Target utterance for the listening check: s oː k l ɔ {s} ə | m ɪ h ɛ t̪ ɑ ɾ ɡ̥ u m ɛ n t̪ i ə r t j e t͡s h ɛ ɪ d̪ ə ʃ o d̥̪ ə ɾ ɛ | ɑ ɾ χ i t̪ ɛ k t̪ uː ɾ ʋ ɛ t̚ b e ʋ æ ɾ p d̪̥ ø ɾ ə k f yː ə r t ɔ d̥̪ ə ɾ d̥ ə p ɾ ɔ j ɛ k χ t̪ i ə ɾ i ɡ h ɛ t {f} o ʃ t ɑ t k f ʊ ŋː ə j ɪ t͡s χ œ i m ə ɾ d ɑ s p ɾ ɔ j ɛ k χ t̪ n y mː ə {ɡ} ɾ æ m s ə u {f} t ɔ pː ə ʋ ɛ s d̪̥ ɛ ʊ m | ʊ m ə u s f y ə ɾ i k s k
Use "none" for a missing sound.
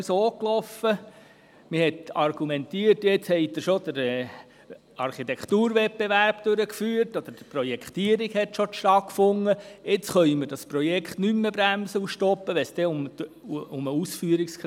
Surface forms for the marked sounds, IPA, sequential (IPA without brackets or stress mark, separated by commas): f, ʃ, b, ʃ